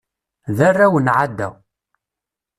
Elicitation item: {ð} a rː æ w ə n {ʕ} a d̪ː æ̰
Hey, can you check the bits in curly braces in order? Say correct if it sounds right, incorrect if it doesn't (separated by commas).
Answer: correct, correct